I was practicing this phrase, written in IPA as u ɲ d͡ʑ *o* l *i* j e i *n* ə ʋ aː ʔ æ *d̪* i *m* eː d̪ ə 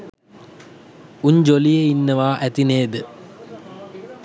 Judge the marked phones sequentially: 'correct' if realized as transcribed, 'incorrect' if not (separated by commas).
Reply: correct, correct, incorrect, incorrect, incorrect